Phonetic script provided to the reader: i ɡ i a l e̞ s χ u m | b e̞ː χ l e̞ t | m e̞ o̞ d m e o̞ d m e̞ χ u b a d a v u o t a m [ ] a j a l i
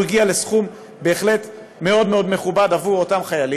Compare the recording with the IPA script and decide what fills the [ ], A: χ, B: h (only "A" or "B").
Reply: A